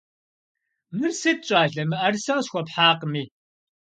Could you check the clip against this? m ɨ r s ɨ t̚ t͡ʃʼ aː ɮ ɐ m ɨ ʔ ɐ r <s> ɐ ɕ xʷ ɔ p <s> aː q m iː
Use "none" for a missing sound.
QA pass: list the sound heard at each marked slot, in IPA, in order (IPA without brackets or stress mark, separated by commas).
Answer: s, ħ